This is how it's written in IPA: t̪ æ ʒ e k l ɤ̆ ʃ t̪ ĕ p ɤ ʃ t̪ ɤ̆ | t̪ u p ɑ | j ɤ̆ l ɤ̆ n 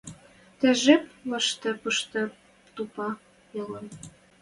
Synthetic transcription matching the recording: t̪ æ ʒ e p l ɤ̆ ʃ t̪ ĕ p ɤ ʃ t̪ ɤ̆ | t̪ u p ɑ | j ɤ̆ l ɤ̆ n